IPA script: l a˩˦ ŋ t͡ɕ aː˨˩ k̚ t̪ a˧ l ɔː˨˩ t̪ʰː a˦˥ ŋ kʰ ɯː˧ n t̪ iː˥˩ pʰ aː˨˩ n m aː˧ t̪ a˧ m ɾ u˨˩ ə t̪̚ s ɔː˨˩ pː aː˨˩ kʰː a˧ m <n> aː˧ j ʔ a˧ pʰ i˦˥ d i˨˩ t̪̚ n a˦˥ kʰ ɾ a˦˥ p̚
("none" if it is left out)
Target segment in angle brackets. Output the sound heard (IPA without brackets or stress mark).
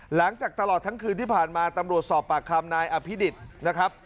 n